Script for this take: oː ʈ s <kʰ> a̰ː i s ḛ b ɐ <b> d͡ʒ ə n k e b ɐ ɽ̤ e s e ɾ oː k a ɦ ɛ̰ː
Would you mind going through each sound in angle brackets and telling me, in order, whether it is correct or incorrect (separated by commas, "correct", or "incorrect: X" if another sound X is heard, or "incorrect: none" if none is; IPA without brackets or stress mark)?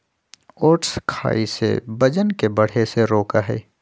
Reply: correct, incorrect: none